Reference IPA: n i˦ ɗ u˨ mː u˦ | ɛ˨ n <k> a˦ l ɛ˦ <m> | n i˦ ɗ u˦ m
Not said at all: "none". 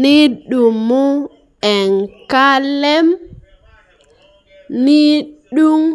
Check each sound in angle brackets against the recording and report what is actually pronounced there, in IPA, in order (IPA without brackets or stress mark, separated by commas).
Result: k, m